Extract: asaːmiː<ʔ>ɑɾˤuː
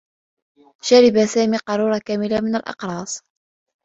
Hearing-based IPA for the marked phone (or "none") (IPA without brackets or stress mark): q